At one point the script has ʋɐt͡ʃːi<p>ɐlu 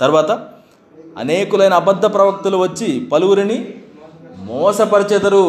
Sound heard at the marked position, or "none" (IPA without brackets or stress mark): p